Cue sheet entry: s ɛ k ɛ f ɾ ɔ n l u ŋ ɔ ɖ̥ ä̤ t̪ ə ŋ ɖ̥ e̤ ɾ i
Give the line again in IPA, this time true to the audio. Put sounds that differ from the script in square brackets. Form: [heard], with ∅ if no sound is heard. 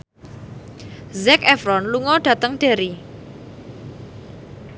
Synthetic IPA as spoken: [z] ɛ k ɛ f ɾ ɔ n l u ŋ ɔ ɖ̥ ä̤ t̪ ə ŋ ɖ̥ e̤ ɾ i